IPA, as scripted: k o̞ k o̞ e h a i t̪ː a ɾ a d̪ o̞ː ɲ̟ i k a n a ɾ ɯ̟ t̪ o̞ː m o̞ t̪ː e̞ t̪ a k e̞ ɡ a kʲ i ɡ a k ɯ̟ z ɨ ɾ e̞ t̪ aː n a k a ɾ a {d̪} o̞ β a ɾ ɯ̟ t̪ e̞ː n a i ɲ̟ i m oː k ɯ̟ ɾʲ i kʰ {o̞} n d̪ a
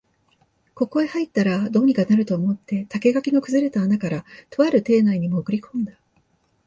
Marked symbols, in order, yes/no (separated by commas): no, no